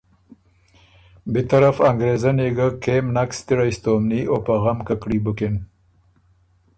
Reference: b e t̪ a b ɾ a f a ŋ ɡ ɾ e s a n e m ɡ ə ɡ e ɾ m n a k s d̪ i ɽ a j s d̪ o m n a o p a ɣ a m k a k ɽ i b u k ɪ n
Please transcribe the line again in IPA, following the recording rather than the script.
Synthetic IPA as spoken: b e t̪ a ɾ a f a ŋ ɡ ɾ e z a n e ɡ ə k e m n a k s t̪ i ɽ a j s t̪ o m n i o p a ɣ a m k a k ɽ i b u k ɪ n